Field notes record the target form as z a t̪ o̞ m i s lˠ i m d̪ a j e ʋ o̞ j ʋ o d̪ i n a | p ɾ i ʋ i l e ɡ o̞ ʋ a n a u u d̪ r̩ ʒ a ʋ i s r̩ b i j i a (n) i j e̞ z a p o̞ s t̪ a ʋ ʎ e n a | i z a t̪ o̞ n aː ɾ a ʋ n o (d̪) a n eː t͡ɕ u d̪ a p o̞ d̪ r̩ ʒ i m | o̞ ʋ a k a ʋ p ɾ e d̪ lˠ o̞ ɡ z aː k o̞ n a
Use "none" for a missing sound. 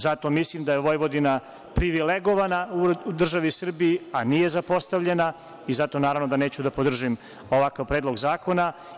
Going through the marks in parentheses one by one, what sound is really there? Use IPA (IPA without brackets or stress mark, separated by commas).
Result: n, d̪